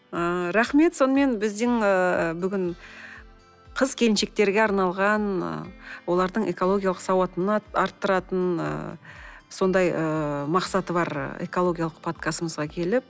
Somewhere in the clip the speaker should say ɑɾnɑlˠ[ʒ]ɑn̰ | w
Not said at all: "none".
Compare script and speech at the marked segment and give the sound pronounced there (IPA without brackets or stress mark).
ʁ